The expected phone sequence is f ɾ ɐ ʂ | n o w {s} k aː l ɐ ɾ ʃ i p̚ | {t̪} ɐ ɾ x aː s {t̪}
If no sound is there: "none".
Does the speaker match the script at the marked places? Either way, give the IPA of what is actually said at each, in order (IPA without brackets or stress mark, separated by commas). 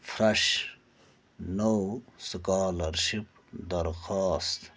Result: s, d̪, t̪